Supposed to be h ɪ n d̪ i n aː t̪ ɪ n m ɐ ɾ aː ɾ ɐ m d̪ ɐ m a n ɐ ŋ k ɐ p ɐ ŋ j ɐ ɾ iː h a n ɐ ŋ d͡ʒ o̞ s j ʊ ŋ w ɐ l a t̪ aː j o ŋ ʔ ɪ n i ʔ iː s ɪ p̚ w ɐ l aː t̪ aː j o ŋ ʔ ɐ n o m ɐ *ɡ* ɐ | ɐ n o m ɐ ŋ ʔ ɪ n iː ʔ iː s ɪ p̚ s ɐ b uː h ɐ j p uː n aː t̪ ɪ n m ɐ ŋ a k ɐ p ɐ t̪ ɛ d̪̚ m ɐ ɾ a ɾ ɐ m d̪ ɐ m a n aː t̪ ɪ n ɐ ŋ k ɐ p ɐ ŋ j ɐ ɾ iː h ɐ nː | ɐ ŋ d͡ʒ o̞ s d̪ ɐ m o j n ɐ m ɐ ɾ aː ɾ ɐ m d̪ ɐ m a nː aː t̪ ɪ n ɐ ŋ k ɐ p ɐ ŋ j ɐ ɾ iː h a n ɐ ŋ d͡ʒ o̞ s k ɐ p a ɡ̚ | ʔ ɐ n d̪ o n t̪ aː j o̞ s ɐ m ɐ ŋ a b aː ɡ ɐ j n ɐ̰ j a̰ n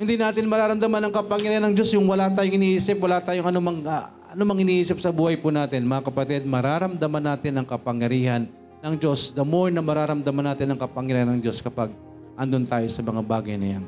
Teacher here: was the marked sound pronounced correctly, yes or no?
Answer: no